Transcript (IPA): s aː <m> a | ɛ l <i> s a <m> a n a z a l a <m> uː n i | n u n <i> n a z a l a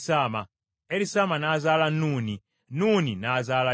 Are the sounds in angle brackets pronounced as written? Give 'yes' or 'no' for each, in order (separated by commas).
yes, yes, yes, no, yes